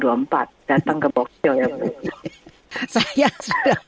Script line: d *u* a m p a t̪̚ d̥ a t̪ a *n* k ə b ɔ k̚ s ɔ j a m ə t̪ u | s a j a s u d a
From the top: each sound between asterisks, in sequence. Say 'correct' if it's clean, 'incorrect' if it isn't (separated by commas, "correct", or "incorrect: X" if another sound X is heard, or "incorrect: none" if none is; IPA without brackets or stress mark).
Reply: correct, incorrect: ŋ